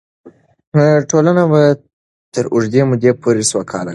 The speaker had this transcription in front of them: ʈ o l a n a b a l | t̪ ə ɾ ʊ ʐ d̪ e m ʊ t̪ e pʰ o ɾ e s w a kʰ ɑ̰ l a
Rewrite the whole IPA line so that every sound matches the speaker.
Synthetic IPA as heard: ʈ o l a n a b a | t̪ ə ɾ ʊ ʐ d̪ e m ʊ d̪ e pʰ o ɾ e s w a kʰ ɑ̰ l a